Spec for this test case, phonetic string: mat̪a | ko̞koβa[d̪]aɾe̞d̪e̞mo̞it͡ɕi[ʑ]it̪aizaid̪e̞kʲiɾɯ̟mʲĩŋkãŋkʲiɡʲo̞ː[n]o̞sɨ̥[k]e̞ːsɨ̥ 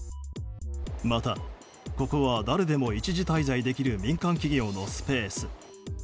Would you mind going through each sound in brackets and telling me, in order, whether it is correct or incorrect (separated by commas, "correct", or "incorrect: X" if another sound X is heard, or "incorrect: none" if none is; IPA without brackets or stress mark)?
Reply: correct, correct, correct, incorrect: p